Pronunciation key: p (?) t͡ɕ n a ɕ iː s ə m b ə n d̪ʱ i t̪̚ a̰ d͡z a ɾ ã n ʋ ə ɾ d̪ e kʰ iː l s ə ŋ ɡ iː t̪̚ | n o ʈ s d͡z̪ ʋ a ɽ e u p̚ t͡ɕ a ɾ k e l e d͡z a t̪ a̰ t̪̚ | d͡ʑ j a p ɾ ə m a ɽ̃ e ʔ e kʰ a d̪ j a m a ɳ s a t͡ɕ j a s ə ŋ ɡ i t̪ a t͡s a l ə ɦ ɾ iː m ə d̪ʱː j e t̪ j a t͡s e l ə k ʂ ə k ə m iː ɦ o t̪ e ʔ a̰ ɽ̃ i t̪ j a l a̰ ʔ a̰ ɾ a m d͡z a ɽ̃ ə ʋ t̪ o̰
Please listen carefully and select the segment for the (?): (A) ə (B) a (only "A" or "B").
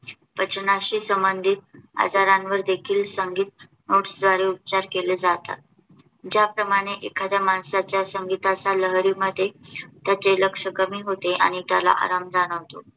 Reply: A